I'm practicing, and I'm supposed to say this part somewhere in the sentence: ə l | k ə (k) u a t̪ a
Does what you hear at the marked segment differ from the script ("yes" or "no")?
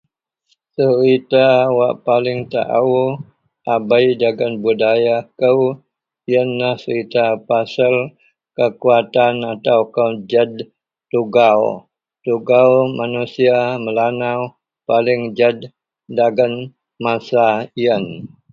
no